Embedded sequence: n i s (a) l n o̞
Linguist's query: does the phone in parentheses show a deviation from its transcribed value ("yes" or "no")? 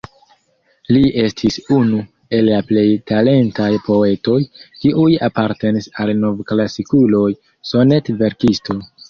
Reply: no